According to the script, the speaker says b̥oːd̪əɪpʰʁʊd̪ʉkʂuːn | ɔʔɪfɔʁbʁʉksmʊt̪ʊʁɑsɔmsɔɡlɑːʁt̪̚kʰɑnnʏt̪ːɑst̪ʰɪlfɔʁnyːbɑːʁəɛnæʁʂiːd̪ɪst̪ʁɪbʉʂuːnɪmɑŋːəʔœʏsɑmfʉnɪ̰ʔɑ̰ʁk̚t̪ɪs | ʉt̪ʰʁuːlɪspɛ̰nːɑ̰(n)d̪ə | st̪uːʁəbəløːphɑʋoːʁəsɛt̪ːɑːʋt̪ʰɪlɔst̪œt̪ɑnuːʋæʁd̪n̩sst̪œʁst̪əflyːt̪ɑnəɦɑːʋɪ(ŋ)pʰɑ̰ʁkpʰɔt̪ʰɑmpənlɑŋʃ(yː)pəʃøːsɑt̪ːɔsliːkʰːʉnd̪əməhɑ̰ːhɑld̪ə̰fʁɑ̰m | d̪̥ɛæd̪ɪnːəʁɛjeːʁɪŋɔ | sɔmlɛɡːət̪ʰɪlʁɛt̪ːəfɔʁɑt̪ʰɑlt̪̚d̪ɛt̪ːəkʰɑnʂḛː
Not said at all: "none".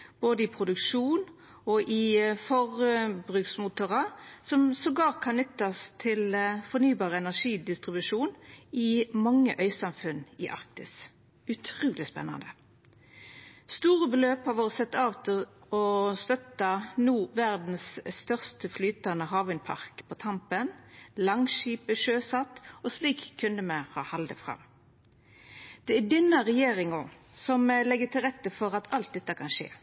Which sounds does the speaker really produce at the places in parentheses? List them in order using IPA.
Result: n, n, iː

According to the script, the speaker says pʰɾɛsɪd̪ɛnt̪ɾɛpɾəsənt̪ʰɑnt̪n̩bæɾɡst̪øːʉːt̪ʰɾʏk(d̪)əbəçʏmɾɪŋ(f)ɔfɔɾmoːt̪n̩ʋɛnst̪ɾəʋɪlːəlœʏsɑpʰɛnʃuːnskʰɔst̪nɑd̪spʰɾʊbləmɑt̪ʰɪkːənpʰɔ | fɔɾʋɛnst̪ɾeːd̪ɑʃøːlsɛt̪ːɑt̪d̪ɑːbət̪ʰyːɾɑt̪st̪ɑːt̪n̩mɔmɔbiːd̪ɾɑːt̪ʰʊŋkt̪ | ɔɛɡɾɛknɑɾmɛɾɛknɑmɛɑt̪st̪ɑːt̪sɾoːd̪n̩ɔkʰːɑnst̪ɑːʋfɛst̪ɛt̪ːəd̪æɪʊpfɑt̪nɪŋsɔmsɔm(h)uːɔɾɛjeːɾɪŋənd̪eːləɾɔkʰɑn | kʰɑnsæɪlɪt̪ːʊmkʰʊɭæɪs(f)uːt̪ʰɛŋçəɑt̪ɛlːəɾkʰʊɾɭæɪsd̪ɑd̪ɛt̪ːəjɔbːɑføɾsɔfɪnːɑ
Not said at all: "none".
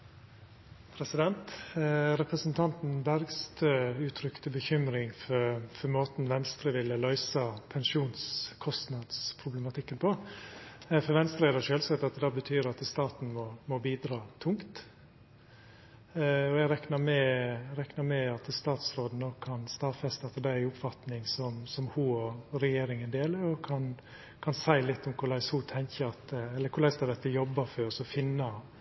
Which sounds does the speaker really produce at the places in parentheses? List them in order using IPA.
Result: t̪, f, h, h

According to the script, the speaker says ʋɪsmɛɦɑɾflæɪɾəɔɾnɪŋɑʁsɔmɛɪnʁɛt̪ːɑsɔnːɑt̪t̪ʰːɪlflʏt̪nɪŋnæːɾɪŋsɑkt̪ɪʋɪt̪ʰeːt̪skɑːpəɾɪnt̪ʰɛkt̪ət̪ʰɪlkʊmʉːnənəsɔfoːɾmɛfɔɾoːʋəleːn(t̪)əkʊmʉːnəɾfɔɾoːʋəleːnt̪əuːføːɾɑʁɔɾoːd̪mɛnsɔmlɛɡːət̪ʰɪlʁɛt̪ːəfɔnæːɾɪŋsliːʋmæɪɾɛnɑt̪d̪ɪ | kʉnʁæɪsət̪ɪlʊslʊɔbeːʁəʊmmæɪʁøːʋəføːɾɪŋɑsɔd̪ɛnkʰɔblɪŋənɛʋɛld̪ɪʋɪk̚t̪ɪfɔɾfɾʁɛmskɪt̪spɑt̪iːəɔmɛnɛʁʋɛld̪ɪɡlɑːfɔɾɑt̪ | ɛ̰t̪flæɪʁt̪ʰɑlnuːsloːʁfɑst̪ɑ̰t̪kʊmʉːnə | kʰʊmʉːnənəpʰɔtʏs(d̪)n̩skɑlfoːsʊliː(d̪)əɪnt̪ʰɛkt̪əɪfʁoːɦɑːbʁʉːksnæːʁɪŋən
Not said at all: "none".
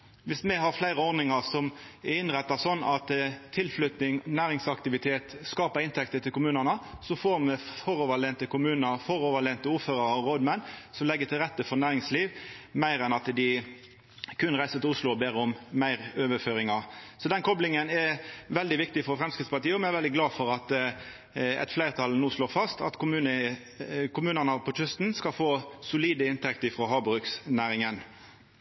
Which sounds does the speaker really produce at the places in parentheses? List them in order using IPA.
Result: t̪, t̪, d̪

